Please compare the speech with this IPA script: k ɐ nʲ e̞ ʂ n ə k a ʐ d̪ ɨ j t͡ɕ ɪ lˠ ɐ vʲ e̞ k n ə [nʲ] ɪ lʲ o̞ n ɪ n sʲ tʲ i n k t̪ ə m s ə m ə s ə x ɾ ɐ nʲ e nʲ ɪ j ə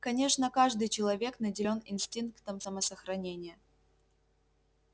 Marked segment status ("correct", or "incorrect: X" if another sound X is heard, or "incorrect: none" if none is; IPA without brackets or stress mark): incorrect: dʲ